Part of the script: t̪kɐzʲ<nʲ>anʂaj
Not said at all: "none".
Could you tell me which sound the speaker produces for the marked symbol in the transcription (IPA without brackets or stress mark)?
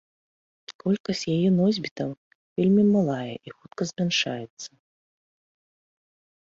mʲ